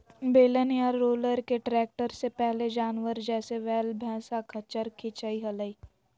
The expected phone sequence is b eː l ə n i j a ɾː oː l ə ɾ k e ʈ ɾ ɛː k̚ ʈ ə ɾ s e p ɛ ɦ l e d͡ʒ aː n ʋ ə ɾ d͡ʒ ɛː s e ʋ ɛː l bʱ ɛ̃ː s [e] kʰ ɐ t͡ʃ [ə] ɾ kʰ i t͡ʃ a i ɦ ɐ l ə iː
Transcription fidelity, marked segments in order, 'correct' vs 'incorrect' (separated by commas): incorrect, correct